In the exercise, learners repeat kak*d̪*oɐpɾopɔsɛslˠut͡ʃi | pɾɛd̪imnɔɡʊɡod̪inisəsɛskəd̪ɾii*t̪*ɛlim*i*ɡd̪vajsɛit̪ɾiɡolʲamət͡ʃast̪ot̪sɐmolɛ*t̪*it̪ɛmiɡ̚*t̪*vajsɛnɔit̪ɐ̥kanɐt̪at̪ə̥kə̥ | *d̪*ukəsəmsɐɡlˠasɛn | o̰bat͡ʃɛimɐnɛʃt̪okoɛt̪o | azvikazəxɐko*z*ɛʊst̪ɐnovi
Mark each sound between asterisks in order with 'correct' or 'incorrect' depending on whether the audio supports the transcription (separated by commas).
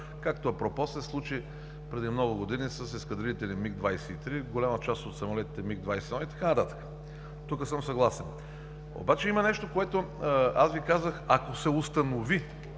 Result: incorrect, correct, correct, correct, incorrect, incorrect, incorrect